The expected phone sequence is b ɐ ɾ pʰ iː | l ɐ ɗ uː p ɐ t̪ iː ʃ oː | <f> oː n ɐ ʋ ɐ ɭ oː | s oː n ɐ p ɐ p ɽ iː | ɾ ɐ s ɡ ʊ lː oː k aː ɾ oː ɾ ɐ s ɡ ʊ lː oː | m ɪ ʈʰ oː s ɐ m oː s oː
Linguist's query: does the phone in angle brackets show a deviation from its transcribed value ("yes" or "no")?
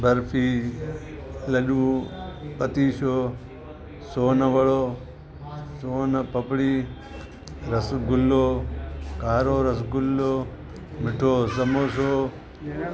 yes